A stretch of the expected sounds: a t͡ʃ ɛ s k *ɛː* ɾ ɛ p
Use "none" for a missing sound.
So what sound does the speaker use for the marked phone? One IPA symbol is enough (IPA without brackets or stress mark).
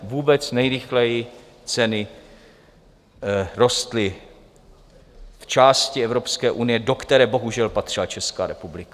aː